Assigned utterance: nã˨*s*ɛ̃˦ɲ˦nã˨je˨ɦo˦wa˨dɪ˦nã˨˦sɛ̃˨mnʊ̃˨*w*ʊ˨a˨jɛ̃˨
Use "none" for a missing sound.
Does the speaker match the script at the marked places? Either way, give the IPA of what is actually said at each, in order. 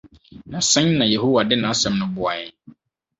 s, b

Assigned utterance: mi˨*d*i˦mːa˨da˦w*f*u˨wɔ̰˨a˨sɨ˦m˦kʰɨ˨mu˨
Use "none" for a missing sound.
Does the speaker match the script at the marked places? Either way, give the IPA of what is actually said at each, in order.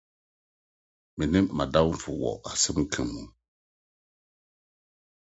n, f

